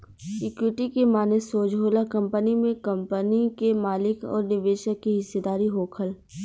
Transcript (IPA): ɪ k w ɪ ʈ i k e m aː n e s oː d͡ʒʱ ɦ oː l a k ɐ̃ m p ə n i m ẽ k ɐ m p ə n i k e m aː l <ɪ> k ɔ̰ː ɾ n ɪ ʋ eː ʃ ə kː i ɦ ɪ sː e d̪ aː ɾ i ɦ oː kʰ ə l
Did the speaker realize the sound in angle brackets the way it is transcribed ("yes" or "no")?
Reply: yes